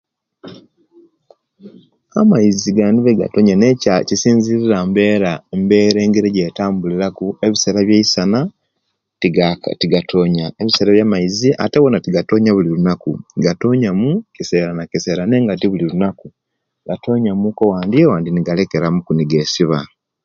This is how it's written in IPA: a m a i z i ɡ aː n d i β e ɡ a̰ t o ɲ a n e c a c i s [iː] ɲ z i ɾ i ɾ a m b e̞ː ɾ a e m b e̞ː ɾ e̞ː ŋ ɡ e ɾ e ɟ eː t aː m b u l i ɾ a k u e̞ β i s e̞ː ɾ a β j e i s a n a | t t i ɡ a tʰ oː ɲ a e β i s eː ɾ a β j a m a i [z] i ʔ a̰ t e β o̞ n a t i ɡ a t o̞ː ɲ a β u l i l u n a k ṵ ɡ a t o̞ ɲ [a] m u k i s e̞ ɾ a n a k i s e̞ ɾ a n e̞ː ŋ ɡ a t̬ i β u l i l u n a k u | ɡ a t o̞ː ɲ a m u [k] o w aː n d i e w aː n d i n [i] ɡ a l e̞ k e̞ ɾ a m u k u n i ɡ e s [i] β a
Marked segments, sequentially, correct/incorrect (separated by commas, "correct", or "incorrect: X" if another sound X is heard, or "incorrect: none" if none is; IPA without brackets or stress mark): correct, correct, correct, correct, correct, correct